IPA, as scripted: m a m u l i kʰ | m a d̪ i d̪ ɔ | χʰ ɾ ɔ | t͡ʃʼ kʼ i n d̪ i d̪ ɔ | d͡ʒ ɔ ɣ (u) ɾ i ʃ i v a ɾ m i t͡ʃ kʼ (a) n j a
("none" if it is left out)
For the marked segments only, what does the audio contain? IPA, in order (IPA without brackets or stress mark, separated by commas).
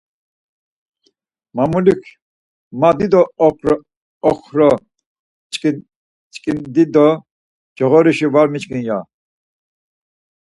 ɔ, i